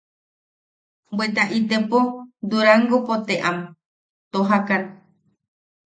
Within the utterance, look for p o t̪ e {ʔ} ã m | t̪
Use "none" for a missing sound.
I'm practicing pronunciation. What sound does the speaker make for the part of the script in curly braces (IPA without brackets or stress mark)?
ʔ